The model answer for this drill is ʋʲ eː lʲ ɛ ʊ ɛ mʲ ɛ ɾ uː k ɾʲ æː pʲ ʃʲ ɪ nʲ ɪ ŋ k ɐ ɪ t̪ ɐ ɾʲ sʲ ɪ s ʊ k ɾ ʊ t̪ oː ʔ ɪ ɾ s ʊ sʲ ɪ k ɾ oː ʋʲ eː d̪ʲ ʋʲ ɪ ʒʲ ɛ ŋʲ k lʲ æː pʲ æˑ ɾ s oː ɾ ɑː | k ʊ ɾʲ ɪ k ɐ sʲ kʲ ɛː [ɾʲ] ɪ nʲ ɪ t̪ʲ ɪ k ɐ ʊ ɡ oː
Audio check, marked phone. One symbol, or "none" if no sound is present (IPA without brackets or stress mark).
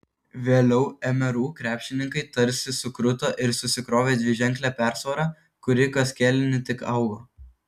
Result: lʲ